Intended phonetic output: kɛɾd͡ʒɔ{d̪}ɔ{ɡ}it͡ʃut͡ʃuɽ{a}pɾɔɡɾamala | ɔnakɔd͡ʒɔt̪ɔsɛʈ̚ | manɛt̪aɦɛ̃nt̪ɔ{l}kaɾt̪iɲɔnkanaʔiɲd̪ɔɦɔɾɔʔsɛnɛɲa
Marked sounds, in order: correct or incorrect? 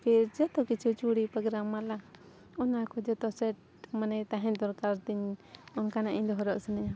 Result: incorrect, incorrect, incorrect, incorrect

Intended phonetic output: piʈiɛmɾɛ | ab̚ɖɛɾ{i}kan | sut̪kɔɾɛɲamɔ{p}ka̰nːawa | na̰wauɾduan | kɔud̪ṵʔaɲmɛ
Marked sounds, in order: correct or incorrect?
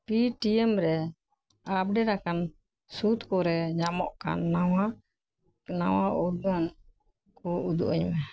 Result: incorrect, incorrect

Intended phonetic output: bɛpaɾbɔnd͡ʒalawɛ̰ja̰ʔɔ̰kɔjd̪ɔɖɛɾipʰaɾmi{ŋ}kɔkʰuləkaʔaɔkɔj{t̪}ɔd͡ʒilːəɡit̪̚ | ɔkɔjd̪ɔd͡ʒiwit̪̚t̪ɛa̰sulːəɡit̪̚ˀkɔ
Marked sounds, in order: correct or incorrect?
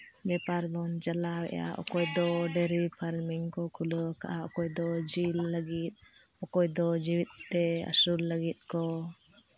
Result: correct, incorrect

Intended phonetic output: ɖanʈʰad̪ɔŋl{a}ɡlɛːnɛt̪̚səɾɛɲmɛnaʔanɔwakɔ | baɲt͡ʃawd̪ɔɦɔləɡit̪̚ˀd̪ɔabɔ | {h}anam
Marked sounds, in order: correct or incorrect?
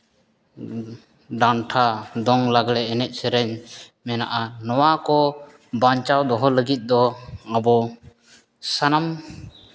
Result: correct, incorrect

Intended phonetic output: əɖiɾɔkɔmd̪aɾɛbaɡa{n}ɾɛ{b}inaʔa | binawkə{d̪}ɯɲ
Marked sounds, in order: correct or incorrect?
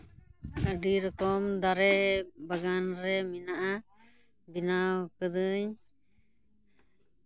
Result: correct, incorrect, correct

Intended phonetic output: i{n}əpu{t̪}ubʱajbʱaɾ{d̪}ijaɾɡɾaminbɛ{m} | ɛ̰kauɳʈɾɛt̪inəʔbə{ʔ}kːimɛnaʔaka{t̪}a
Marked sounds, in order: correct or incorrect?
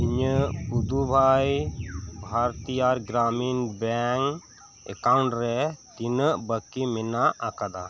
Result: incorrect, incorrect, incorrect, incorrect, incorrect, incorrect

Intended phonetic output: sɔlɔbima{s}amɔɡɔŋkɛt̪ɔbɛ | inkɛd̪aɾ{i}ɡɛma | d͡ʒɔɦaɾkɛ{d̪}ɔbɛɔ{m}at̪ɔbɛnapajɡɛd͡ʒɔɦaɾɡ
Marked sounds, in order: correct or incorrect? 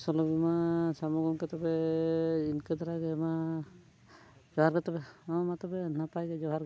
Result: correct, incorrect, incorrect, correct

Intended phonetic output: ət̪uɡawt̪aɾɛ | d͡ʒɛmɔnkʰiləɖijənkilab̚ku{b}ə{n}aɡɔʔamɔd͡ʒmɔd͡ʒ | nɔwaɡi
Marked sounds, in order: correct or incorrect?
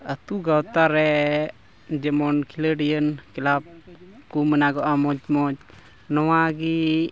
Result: incorrect, correct

